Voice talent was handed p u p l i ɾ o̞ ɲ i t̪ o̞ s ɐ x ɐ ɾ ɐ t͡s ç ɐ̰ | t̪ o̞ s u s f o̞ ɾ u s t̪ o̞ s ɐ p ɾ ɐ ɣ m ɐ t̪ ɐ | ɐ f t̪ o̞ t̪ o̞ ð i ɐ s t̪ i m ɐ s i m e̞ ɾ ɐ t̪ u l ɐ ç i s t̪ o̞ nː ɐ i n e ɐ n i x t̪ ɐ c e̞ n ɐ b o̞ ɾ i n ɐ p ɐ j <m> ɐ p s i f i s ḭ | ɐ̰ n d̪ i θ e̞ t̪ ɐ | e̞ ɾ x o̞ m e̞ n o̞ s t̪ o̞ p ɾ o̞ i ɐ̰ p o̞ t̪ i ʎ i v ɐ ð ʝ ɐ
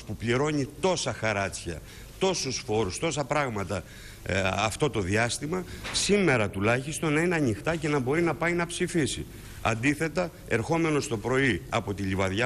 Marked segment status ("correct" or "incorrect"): incorrect